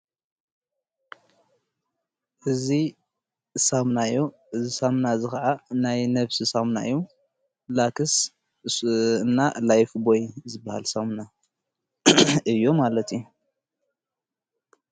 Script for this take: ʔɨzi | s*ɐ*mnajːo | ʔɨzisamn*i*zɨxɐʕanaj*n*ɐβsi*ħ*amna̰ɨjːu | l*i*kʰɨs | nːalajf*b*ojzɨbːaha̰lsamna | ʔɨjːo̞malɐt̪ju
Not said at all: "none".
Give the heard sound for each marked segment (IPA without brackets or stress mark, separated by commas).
a, a, n, s, a, b